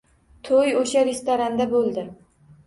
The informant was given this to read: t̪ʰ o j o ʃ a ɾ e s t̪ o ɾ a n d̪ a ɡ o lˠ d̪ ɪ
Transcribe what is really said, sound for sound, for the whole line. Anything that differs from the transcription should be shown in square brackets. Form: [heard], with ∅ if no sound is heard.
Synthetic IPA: t̪ʰ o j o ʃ a ɾ e s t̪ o ɾ a n d̪ a [b] o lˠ d̪ ɪ

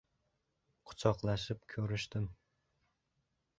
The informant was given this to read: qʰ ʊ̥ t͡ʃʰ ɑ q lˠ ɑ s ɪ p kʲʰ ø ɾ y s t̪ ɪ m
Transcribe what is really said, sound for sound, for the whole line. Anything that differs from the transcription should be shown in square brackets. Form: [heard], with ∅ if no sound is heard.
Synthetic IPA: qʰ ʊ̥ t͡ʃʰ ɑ q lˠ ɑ [ʃ] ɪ p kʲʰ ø ɾ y [ʃ] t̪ ɪ m

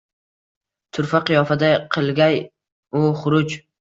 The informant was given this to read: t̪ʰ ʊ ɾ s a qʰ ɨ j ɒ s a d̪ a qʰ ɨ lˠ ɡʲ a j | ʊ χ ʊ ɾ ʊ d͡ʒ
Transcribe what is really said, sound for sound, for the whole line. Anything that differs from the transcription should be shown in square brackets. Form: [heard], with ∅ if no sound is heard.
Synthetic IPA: t̪ʰ ʊ ɾ [f] a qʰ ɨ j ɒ [f] a d̪ a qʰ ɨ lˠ ɡʲ a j | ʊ χ ʊ ɾ ʊ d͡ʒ

